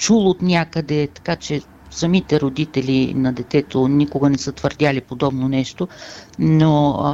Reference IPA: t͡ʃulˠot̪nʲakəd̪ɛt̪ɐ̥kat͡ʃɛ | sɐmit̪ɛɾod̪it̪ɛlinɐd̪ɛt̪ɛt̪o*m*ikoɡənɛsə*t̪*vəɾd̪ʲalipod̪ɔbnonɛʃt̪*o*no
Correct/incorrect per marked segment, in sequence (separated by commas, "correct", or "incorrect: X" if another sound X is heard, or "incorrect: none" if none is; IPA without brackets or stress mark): incorrect: n, correct, correct